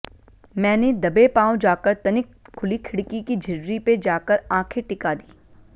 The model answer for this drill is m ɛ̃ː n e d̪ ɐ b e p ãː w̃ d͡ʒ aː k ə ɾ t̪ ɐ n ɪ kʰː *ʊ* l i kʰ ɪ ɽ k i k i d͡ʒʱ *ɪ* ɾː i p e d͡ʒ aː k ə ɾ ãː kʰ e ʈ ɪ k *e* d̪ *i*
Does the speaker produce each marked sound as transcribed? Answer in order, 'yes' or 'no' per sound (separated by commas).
yes, yes, no, no